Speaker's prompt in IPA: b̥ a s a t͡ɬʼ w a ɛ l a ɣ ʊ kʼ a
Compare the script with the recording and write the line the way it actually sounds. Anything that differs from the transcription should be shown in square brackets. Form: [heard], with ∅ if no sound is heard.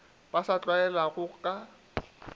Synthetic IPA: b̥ a s a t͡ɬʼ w a ɛ l a ɣ ʊ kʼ a